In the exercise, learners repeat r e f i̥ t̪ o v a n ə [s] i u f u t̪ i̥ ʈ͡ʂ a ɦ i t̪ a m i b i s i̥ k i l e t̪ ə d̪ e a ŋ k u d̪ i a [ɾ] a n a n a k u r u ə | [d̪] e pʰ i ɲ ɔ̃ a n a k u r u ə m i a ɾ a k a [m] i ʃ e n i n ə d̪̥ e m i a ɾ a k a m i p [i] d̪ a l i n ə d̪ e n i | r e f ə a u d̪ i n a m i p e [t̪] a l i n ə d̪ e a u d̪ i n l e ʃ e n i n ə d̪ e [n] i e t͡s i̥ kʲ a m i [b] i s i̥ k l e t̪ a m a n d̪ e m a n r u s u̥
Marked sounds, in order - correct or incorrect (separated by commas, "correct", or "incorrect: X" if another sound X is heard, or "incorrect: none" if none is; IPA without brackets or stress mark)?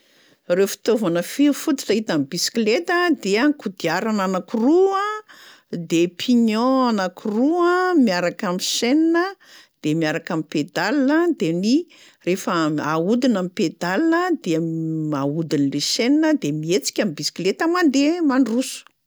incorrect: f, correct, correct, correct, incorrect: e, incorrect: d̪, incorrect: m, correct